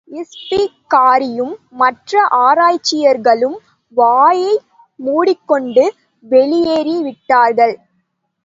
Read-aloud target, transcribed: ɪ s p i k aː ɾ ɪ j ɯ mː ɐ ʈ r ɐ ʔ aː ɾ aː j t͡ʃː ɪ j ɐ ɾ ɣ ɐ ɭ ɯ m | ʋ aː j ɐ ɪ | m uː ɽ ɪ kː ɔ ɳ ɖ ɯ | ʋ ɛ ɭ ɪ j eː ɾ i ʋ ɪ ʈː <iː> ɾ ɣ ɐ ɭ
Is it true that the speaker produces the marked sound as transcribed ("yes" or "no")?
no